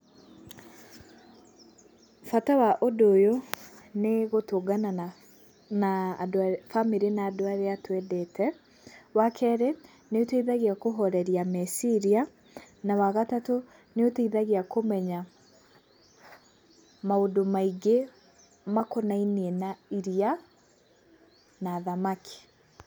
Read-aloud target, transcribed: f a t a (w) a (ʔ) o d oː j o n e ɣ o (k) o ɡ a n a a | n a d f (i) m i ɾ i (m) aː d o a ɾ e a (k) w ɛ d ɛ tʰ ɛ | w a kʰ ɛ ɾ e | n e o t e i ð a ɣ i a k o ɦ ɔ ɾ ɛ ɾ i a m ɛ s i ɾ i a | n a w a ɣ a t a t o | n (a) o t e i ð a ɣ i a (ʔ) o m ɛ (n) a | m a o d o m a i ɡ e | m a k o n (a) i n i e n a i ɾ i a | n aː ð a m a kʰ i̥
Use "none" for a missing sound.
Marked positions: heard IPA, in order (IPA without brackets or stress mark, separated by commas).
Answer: w, ʔ, t, a, n, t, e, k, ɲ, a